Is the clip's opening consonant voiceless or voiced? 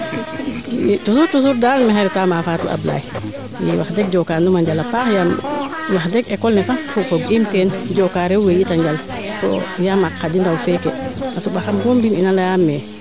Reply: voiceless